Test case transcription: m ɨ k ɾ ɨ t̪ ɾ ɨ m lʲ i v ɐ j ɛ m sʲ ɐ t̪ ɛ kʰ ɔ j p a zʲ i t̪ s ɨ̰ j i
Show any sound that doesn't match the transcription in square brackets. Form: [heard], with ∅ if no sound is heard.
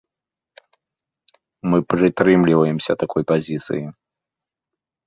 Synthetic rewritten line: m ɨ [p] ɾ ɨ t̪ ɾ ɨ m lʲ i v ɐ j ɛ m sʲ ɐ t̪ [a] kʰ ɔ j p a zʲ i t̪ s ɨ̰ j i